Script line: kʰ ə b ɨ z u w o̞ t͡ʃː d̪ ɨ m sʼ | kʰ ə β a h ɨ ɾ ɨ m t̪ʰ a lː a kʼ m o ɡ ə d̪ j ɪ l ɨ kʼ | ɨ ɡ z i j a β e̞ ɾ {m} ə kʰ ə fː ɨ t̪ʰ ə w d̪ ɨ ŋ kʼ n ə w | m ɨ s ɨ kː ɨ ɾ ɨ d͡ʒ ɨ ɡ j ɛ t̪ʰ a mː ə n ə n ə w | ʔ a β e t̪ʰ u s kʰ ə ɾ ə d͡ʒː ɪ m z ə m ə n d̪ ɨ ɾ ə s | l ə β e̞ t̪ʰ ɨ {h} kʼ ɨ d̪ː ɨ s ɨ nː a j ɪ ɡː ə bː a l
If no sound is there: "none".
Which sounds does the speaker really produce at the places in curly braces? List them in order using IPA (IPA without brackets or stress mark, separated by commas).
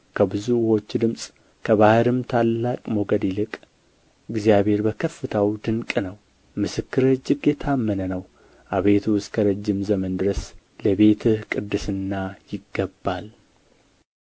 b, h